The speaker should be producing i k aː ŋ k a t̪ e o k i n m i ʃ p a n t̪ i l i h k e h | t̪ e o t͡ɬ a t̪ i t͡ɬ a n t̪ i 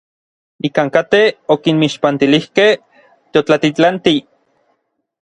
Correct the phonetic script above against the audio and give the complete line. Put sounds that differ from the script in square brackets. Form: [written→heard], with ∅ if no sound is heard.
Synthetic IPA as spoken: i k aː ŋ k a t̪ e o k i n m i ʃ p a n t̪ i l i h k e h | t̪ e o t͡ɬ a t̪ i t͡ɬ a n t̪ i